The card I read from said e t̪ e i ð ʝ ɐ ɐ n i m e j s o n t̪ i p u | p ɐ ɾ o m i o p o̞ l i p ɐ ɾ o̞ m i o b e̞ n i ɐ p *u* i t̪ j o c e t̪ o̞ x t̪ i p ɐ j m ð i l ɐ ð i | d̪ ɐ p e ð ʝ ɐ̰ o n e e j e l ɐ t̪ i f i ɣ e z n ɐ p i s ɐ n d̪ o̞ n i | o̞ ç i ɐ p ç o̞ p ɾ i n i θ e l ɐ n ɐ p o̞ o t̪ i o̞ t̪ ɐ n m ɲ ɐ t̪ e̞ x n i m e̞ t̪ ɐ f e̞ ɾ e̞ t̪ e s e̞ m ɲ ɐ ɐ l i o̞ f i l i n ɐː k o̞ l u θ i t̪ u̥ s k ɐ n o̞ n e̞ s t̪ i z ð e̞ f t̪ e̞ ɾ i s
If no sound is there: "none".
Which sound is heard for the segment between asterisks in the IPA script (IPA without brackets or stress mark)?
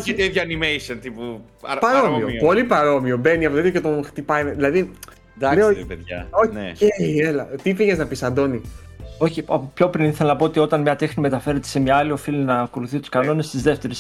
o